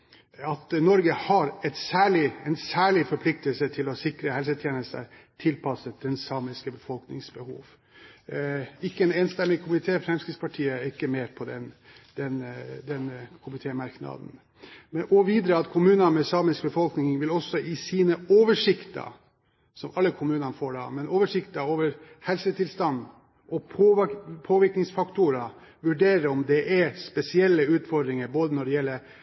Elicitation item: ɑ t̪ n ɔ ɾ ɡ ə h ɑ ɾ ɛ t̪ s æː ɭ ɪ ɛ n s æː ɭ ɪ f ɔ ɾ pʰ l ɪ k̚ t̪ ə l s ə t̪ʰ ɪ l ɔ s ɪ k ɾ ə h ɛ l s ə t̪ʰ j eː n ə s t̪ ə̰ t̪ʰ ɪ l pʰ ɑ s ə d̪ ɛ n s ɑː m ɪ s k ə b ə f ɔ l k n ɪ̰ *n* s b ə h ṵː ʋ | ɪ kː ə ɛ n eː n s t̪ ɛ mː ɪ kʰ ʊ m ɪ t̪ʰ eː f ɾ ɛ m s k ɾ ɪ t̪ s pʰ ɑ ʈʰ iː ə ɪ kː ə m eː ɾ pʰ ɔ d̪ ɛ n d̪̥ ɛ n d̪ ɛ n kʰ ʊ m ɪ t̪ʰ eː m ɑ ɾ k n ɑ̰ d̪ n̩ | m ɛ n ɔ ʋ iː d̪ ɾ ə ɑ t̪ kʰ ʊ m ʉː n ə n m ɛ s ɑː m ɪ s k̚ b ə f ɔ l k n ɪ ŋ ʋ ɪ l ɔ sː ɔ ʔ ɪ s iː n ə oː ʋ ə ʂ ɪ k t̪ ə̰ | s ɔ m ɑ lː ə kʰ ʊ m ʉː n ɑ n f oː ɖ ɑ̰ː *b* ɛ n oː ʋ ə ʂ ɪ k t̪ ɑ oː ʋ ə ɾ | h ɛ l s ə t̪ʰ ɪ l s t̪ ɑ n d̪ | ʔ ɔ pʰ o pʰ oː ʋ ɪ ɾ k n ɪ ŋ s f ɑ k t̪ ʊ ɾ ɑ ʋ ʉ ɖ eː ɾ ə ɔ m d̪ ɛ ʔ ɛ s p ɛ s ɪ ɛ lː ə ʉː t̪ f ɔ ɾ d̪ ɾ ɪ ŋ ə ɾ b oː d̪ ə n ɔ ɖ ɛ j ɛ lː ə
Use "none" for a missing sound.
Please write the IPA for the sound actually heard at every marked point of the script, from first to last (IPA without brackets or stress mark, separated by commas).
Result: ŋ, m